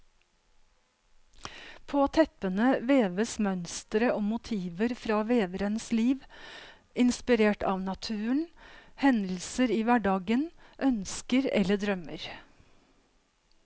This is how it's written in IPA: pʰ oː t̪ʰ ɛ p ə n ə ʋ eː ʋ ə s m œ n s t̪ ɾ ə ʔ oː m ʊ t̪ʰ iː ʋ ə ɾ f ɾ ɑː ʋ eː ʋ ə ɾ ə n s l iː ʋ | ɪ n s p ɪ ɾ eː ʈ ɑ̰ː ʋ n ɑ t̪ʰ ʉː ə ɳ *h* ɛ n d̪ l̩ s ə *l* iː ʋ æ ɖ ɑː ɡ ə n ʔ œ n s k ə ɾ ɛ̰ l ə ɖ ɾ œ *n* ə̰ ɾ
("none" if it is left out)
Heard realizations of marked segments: h, ɾ, m

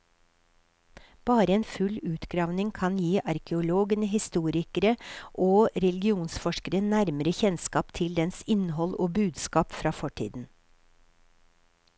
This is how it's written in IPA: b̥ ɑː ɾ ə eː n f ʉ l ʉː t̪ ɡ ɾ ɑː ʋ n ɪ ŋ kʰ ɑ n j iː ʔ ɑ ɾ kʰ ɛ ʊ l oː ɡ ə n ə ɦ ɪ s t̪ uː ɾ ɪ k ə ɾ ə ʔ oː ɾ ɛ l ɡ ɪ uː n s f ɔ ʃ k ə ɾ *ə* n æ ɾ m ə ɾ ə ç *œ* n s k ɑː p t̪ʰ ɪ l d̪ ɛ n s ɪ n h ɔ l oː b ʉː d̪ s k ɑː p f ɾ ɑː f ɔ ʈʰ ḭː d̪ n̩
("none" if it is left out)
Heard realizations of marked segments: ə, ɛ

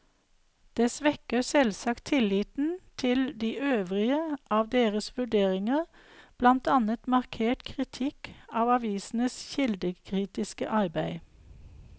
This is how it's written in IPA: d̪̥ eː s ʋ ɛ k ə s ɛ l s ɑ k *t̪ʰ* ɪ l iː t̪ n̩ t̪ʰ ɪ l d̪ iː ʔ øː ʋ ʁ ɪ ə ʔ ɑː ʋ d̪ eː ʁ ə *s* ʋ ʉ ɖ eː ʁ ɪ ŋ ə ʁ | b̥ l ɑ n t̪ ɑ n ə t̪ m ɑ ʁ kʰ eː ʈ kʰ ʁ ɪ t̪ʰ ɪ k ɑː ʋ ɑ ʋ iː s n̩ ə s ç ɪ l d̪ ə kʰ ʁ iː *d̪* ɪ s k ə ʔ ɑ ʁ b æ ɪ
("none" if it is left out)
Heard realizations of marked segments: t̪ʰ, s, t̪

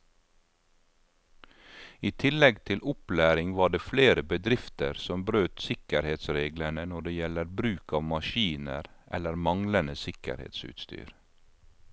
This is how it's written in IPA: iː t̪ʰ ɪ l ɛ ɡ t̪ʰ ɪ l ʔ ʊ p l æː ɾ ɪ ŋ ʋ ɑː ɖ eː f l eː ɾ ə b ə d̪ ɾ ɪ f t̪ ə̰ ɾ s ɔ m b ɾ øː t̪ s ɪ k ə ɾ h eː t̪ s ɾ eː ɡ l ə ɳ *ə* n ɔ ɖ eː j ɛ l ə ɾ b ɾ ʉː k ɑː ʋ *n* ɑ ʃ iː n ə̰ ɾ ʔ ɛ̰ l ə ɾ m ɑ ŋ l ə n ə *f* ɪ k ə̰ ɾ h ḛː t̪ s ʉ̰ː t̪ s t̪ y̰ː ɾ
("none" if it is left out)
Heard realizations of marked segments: ə, m, s

